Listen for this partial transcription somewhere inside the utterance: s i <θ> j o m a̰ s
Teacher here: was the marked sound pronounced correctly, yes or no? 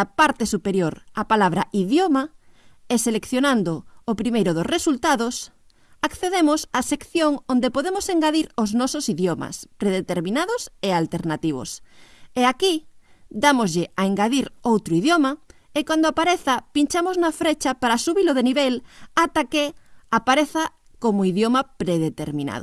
no